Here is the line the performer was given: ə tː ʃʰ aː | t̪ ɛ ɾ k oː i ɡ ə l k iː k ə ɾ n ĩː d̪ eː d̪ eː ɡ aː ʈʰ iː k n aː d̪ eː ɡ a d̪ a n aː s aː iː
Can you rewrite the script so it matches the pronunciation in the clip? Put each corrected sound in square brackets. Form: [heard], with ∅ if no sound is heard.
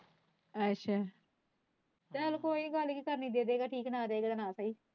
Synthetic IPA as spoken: ə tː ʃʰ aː | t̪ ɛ [l] k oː i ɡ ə l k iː k ə ɾ n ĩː d̪ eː d̪ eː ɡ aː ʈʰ iː k n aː d̪ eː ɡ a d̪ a n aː s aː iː